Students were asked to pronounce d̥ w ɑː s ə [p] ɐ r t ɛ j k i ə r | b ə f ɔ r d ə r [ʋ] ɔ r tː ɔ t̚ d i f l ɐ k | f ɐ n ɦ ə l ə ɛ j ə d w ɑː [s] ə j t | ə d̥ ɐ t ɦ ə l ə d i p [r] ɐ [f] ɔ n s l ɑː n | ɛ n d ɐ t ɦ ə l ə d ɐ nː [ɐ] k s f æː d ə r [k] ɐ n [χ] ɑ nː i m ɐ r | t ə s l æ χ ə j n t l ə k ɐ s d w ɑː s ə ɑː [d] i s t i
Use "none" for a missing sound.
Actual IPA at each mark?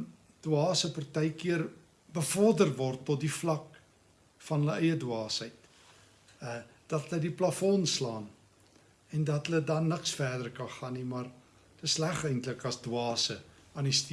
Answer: p, v, s, l, f, ə, k, χ, n

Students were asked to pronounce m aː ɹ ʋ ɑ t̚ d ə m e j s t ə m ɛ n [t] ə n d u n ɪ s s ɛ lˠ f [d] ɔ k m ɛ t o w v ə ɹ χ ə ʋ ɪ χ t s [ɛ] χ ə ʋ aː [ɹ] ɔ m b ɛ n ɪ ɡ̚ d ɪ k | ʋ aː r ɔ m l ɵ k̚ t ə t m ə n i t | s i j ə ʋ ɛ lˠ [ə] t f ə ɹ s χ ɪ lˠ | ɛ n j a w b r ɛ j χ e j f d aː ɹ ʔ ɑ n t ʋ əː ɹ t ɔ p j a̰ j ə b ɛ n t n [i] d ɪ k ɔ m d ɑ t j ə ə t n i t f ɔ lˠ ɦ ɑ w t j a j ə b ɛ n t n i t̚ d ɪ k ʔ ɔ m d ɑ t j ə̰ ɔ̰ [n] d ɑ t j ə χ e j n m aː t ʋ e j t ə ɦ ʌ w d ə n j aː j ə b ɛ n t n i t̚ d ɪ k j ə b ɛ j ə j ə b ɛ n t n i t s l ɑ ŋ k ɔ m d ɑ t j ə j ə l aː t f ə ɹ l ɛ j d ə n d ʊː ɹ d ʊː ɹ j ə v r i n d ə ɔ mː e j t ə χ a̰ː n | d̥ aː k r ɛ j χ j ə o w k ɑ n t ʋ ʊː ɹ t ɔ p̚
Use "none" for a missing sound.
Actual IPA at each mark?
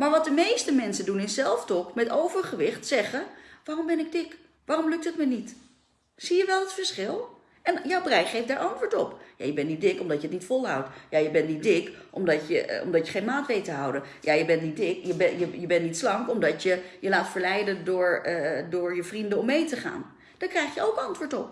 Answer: s, t, ɛ, r, ə, i, m

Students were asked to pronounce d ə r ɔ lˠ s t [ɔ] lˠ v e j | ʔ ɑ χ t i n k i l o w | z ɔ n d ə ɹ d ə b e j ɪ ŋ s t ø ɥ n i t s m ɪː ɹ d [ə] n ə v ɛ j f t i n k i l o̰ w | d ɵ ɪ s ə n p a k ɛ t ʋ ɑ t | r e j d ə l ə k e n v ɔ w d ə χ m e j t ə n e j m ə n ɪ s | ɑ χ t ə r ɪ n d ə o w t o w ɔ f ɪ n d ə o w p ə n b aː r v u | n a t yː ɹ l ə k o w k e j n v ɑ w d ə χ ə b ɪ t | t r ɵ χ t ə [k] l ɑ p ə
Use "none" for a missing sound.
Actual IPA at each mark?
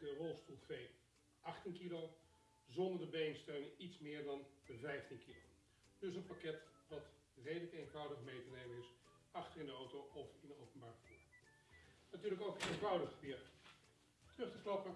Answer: u, ɑ, k

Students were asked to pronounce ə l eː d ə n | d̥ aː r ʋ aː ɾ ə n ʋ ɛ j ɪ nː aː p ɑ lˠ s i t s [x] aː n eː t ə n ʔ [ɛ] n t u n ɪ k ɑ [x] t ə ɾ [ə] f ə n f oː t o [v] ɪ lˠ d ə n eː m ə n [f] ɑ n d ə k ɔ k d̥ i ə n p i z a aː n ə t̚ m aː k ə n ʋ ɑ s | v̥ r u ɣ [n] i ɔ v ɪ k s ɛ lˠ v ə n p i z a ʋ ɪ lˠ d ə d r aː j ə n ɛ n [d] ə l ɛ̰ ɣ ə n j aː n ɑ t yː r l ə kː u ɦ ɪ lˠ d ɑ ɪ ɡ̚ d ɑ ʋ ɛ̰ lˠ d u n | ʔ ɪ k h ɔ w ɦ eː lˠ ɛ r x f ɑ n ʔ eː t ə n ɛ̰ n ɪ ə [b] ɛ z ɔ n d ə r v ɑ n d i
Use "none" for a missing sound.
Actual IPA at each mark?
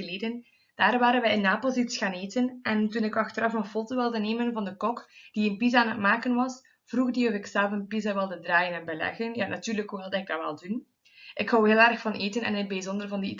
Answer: x, ɛ, x, ɑ, ʋ, v, d, b, b

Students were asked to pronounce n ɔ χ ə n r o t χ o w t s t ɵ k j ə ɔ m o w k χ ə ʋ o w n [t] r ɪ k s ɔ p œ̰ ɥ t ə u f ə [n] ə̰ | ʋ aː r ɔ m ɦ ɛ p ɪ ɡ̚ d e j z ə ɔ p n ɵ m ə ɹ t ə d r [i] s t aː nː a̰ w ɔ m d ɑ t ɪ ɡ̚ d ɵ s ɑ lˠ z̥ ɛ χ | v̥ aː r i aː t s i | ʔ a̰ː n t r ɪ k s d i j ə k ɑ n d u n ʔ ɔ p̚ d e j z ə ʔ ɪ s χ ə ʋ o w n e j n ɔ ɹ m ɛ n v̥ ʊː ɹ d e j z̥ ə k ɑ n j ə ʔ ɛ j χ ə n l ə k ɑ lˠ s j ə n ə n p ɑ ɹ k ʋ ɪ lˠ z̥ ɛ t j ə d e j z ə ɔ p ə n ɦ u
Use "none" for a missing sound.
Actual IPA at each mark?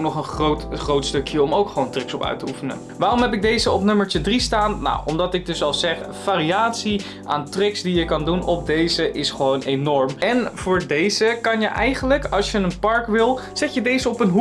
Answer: t, n, i

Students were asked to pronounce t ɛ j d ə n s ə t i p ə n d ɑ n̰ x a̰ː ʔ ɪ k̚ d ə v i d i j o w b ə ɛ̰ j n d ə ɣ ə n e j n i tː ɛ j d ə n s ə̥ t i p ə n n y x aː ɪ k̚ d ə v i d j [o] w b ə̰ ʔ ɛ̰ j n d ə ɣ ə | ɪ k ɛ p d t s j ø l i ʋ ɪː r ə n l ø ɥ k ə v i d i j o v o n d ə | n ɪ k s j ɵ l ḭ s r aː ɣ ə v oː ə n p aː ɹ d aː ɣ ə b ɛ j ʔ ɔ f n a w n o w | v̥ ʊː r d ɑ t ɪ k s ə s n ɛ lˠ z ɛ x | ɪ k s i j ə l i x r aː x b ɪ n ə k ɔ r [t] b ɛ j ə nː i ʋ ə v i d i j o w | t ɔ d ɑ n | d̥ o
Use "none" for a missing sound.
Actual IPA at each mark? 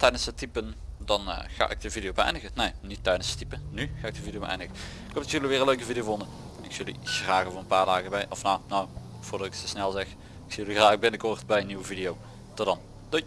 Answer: o, t

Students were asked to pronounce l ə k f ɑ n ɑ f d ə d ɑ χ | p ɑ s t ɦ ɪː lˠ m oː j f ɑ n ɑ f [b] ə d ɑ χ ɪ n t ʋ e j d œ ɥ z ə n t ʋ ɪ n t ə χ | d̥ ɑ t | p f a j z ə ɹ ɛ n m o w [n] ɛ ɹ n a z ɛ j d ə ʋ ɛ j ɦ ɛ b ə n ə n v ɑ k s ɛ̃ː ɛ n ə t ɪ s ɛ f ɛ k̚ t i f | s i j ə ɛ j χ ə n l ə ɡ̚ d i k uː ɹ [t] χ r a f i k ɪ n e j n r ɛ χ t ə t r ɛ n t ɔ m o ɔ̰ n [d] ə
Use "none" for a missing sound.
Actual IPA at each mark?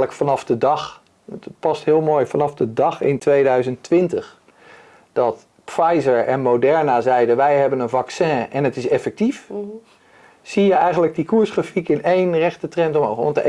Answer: d, d, s, t

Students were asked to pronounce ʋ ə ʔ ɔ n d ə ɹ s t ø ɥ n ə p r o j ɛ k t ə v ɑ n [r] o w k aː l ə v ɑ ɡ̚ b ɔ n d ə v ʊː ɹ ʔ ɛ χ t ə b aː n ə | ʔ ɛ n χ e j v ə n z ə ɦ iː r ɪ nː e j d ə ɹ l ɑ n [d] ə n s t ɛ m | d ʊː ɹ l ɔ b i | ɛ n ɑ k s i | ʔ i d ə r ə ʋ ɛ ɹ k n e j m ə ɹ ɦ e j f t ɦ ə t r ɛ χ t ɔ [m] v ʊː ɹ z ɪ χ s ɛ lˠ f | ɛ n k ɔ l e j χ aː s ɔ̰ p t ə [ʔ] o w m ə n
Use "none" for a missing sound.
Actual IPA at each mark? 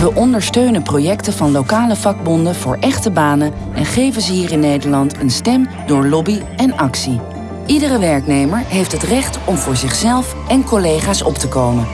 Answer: l, t, m, k

